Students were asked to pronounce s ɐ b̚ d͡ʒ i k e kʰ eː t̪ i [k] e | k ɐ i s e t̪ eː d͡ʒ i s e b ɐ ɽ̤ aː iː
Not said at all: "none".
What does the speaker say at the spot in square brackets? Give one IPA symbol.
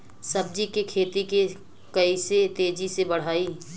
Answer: k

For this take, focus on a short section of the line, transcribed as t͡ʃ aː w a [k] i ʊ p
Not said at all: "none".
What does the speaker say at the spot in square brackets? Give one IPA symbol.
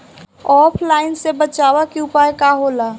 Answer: k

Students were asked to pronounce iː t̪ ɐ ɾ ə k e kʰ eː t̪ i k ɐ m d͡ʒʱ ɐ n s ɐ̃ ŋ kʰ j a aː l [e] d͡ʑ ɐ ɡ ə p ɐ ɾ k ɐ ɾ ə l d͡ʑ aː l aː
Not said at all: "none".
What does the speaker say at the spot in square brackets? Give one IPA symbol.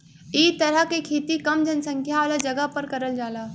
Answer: a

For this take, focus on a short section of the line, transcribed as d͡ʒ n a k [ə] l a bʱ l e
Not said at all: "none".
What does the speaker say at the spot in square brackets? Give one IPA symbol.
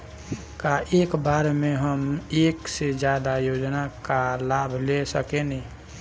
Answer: a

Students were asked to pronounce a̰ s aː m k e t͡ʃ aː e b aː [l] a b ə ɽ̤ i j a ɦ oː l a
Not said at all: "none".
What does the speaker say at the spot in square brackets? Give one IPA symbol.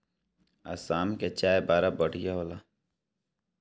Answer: ɾ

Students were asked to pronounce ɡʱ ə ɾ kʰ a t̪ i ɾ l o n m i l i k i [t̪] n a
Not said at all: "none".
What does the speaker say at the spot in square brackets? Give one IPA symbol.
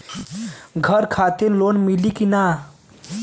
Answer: none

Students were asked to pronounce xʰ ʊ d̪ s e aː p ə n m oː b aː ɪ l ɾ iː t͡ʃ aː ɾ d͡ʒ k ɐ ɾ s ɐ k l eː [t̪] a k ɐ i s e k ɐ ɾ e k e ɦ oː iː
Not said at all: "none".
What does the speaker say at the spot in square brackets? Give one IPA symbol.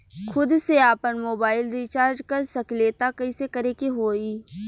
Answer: t̪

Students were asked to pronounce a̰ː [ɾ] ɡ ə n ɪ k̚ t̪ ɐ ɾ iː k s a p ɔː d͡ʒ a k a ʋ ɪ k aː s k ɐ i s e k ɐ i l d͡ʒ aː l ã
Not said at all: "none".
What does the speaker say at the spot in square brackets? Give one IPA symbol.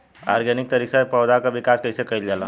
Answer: ɾ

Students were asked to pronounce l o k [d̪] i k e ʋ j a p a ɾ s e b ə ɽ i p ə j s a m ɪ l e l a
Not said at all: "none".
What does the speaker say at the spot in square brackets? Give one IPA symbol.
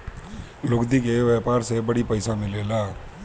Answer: d̪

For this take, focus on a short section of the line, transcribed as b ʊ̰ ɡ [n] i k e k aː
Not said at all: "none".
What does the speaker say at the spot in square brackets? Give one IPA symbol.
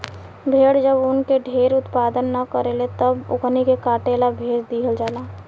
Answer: n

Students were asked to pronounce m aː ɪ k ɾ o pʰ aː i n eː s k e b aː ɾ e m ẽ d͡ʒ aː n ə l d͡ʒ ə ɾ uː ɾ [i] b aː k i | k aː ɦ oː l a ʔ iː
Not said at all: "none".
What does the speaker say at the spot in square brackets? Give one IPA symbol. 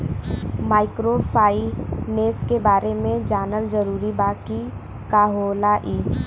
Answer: i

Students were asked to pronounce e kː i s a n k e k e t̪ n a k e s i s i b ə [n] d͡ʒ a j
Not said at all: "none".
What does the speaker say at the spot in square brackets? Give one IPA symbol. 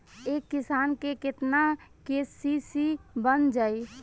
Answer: n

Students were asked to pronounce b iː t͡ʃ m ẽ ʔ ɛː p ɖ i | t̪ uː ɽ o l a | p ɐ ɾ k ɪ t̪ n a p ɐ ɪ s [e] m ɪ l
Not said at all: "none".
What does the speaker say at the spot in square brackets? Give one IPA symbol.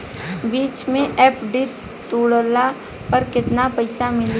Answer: a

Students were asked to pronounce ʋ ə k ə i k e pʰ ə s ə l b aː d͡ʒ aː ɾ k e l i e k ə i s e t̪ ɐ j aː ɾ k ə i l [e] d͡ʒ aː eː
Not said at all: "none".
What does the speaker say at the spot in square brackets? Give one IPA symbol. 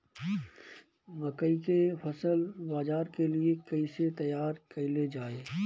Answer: e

